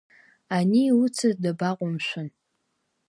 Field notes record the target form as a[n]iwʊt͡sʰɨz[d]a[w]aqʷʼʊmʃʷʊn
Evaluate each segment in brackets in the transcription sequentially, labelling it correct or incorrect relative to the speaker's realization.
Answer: correct, correct, incorrect: b

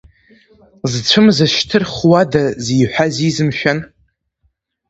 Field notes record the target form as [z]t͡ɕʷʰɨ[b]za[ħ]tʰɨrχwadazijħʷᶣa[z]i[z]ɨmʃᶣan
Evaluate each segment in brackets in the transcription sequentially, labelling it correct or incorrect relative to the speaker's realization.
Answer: correct, incorrect: m, incorrect: ʃ, correct, correct

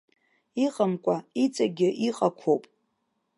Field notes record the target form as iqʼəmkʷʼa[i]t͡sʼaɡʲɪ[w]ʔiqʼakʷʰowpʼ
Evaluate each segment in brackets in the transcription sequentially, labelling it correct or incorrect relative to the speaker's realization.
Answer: correct, incorrect: none

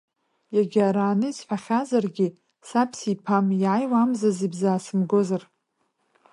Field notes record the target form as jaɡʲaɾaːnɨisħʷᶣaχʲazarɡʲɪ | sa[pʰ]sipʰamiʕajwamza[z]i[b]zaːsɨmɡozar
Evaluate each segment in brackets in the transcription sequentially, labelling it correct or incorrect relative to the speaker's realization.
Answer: correct, correct, correct

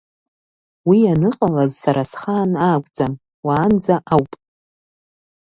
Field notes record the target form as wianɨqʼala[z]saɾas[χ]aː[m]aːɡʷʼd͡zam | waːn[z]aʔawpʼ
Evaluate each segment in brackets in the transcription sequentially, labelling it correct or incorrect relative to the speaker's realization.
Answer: correct, correct, incorrect: n, incorrect: d͡z

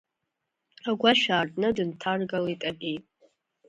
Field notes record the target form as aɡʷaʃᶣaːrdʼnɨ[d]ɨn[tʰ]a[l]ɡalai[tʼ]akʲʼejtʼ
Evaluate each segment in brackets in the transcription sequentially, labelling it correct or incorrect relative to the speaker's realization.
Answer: correct, correct, incorrect: r, correct

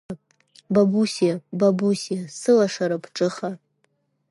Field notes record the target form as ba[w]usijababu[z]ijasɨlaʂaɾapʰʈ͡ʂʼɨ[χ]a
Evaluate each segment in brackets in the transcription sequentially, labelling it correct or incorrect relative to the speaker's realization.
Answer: incorrect: b, incorrect: s, correct

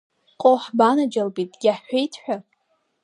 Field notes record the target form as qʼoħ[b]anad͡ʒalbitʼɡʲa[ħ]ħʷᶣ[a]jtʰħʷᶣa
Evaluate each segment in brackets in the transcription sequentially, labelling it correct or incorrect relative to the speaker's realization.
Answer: correct, correct, incorrect: e

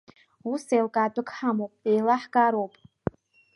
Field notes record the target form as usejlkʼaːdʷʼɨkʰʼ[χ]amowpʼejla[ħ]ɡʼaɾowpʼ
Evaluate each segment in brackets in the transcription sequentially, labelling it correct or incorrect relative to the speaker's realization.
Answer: incorrect: ħ, correct

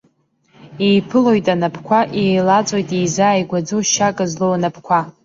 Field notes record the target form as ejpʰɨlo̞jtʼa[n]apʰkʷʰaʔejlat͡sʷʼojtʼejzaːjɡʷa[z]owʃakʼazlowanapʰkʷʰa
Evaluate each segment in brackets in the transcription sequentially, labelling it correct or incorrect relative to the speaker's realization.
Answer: correct, incorrect: d͡z

